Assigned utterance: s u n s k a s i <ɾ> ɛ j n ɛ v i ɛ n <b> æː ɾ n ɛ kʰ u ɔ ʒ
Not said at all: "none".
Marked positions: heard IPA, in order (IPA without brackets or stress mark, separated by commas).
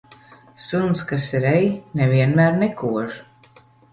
ɾ, m